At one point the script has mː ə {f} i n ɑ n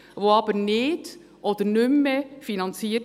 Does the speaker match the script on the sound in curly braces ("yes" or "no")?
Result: yes